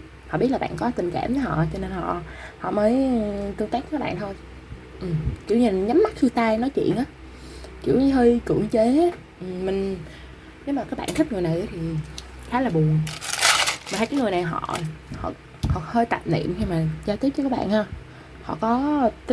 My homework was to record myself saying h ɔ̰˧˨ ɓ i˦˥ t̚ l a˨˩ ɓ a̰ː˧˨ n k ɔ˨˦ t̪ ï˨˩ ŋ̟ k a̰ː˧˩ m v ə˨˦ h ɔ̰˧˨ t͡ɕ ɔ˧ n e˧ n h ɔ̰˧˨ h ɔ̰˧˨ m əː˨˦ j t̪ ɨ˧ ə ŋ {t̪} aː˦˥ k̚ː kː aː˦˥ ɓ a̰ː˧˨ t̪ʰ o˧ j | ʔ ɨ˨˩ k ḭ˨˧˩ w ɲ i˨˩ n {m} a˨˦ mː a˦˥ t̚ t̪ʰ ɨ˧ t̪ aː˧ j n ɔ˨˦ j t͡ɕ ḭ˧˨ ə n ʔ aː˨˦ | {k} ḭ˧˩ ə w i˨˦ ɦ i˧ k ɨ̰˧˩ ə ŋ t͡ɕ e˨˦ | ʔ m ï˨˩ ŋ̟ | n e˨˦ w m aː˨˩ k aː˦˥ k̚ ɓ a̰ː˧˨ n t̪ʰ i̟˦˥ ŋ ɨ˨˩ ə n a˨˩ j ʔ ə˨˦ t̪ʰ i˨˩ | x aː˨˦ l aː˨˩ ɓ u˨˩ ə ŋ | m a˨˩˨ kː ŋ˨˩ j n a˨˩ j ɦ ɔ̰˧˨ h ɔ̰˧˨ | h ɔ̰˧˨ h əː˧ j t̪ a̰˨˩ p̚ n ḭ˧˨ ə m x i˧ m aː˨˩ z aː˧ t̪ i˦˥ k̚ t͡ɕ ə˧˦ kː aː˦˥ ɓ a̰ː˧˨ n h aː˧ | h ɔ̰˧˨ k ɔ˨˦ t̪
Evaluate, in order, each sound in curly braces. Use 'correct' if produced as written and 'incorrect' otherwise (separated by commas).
correct, incorrect, correct